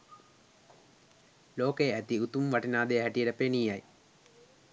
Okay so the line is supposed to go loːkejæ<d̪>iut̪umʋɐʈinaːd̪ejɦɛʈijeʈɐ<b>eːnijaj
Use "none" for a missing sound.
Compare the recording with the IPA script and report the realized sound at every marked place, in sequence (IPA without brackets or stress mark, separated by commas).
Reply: t̪, p